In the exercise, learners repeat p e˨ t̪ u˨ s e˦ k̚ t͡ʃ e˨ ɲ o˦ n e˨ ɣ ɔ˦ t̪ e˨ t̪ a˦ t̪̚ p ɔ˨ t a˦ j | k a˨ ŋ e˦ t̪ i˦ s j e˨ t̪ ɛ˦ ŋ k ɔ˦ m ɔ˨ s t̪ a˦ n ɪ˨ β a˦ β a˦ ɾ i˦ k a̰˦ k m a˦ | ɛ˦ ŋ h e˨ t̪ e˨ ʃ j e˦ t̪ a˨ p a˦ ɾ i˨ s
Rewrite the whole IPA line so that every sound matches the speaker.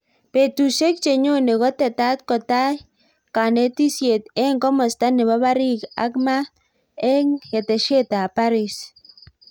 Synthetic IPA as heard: p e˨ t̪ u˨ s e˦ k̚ t͡ʃ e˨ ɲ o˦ n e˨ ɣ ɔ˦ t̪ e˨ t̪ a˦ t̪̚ k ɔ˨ t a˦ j | k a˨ n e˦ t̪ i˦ s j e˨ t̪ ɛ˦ ŋ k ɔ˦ m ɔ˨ s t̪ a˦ n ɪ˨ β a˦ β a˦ ɾ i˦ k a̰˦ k m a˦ | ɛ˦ ŋ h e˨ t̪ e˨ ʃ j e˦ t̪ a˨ p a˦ ɾ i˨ s